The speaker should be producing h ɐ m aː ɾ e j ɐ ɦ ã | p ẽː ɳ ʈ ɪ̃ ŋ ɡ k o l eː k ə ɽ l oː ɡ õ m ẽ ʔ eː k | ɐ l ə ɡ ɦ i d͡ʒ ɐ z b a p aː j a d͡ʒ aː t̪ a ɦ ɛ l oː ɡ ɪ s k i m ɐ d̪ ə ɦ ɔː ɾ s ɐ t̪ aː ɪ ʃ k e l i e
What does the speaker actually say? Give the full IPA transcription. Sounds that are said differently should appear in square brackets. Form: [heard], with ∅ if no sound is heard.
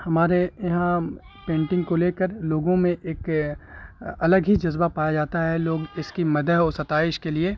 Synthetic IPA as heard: h ɐ m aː ɾ e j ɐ ɦ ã | p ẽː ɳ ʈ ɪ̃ ŋ ɡ k o l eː k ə [ɾ] l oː ɡ õ m ẽ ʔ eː k | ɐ l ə ɡ ɦ i d͡ʒ ɐ z b a p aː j a d͡ʒ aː t̪ a ɦ ɛ l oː ɡ ɪ s k i m ɐ d̪ ə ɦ ɔː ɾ s ɐ t̪ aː ɪ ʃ k e l i e